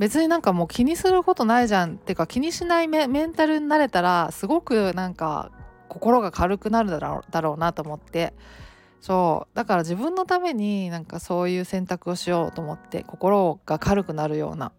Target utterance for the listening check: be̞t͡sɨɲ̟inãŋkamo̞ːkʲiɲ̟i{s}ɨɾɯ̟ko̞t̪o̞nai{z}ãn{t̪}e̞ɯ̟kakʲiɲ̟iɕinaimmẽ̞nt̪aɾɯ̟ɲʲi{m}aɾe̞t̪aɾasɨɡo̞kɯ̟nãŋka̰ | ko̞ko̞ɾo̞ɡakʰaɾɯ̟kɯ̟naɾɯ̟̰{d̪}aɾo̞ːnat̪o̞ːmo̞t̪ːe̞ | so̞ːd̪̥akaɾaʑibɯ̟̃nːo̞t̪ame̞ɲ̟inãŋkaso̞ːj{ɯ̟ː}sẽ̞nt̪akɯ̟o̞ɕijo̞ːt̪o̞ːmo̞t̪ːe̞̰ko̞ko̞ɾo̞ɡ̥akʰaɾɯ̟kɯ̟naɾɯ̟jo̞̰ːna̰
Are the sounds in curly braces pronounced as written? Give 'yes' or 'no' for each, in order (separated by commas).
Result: yes, no, yes, no, yes, yes